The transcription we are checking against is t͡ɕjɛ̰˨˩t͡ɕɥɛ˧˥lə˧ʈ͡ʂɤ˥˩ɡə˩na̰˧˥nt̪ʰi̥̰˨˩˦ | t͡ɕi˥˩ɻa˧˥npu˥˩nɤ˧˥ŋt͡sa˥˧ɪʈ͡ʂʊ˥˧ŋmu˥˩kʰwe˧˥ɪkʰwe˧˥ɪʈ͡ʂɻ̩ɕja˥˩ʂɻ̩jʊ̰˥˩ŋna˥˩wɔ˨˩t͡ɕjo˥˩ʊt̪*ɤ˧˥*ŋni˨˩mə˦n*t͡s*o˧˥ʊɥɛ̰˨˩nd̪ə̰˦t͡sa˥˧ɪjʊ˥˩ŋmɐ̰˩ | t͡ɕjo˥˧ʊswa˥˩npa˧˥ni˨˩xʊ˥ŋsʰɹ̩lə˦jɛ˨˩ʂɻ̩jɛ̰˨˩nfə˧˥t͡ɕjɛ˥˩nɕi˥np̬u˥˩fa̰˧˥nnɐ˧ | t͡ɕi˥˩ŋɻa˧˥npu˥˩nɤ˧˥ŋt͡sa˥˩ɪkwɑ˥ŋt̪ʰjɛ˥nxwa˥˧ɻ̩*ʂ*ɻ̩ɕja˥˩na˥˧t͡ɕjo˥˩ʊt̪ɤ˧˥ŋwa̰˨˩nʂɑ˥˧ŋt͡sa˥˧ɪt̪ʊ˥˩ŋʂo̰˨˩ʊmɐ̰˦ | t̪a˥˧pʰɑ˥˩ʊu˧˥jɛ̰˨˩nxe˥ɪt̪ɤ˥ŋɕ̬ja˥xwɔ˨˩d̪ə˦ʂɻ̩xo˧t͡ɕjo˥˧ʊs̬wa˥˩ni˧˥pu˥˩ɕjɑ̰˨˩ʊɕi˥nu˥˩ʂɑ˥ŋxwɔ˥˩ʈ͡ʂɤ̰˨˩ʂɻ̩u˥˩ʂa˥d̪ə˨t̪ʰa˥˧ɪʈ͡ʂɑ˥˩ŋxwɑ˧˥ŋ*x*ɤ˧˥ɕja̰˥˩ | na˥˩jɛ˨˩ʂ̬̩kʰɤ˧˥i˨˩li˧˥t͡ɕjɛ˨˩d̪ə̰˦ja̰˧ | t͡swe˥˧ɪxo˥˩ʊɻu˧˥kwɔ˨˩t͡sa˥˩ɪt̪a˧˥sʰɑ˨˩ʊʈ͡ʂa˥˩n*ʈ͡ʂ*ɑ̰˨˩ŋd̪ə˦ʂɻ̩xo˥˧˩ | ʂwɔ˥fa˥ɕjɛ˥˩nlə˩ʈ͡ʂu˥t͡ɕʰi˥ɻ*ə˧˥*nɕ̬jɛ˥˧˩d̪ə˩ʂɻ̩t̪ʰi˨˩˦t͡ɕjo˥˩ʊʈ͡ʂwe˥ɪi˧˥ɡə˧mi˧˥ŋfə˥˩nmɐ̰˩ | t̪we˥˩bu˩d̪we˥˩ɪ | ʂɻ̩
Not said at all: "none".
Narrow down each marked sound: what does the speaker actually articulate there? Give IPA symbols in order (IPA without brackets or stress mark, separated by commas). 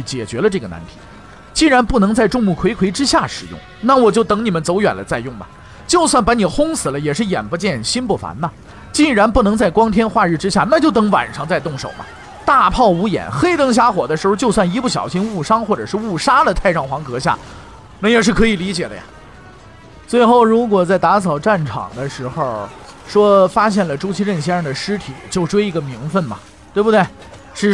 ɤ˧˥, t͡s, ʈ͡ʂ, k, ʈ͡ʂʰ, ə˥˩